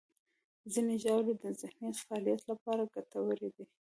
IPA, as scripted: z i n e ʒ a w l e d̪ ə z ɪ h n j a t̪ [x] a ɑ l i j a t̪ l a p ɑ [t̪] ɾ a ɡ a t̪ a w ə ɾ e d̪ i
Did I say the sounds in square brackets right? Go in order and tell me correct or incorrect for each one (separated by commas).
incorrect, incorrect